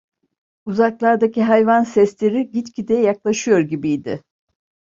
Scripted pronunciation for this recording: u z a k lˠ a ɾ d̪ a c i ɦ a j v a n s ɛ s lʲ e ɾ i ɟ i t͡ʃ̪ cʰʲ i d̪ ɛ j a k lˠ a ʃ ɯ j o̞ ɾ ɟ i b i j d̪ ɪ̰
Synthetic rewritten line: u z a k lˠ a ɾ d̪ a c i ɦ a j v a n s ɛ s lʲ e ɾ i ɟ i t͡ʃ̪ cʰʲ i d̪ ɛ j a k lˠ a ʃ ɯ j o̞ ɾ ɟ i b i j d̪ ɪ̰